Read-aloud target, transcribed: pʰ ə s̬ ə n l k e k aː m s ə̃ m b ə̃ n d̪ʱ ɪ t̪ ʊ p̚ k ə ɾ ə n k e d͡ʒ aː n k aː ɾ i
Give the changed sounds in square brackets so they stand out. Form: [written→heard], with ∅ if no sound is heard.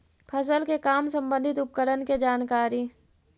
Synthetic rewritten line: pʰ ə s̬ ə [n→∅] l k e k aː m s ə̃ m b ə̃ n d̪ʱ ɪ t̪ ʊ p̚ k ə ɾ ə n k e d͡ʒ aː n k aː ɾ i

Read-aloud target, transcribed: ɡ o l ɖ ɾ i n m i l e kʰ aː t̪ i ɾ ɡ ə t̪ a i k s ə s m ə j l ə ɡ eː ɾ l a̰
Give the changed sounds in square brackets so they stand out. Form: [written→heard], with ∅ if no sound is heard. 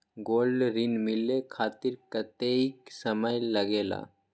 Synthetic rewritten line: ɡ o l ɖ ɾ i n m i l e kʰ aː t̪ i ɾ [ɡ→k] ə t̪ [a→e] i k s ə [s→∅] m ə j l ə ɡ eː [ɾ→∅] l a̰

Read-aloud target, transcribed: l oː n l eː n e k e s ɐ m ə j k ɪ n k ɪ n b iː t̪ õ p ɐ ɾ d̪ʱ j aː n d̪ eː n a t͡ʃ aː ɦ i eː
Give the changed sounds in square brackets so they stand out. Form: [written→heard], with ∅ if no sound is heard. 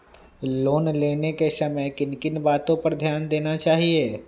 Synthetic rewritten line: l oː n l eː n e k e s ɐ m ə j k ɪ n k ɪ n b [iː→aː] t̪ õ p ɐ ɾ d̪ʱ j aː n d̪ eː n a t͡ʃ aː ɦ i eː

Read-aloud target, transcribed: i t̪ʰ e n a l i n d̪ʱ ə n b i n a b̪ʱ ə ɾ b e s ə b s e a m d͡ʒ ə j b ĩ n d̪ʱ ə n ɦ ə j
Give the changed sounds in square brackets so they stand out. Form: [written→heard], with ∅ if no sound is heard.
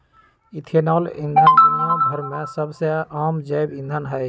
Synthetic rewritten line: i t̪ʰ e n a l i n d̪ʱ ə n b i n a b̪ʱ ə ɾ [b→m] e s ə b s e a m d͡ʒ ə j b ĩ n d̪ʱ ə n ɦ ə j

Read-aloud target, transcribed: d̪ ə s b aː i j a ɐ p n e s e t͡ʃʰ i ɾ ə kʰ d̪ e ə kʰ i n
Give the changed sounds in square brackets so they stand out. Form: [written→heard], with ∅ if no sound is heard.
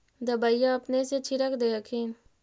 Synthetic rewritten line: d̪ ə [s→∅] b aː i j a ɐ p n e s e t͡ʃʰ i ɾ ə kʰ d̪ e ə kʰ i n

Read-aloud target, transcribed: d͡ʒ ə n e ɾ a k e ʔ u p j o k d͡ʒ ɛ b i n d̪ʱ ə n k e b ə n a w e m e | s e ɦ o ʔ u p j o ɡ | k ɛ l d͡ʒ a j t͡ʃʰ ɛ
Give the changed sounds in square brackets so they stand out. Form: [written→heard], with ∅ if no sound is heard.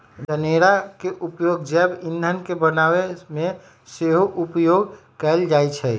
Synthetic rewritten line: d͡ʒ ə n e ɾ a k e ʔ u p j o [k→ɡ] d͡ʒ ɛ b i n d̪ʱ ə n k e b ə n a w e m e | s e ɦ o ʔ u p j o ɡ | k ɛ l d͡ʒ a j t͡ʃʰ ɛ

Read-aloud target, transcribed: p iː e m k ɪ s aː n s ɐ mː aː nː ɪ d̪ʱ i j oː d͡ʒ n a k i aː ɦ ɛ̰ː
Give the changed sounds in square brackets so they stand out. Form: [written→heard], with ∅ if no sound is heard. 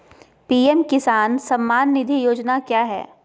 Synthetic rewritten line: p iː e m k ɪ s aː n s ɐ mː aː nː ɪ d̪ʱ i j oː d͡ʒ n a k [i→j] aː ɦ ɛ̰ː

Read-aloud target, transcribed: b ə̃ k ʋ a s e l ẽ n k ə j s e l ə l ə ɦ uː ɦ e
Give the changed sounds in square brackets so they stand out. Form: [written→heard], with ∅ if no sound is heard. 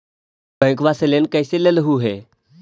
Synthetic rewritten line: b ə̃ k ʋ a s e l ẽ n k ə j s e l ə l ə ɦ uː ɦ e

